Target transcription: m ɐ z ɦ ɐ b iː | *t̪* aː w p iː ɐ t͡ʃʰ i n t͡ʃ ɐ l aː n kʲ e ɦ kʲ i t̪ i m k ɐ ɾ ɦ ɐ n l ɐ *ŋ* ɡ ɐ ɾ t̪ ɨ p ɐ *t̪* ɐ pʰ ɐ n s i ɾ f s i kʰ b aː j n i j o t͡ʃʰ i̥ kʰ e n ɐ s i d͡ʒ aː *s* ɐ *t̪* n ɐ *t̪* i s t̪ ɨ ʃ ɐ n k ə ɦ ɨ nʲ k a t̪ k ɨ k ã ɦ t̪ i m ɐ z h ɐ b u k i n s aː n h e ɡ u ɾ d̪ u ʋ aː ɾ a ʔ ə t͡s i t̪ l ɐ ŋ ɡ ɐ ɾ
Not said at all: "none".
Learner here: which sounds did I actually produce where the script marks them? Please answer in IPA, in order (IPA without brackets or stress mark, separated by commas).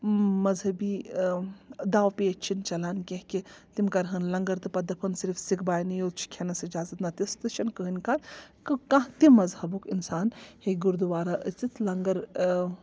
d̪, ŋ, d̪, z, t̪, t̪